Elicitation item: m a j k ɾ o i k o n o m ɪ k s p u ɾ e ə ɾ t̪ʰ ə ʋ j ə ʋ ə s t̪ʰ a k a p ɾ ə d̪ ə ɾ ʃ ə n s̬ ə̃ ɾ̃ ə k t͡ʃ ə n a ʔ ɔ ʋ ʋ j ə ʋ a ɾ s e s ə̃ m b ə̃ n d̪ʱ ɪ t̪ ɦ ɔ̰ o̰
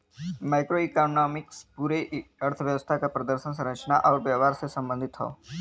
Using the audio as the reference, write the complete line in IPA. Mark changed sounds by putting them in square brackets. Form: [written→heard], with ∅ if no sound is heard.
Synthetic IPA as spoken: m a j k ɾ o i k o n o m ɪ k s p u ɾ e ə ɾ t̪ʰ ə ʋ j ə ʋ ə s t̪ʰ a k a p ɾ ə d̪ ə ɾ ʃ ə n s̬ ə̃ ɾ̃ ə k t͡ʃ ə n a ʔ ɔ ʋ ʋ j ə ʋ a ɾ s e s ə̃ m b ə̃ n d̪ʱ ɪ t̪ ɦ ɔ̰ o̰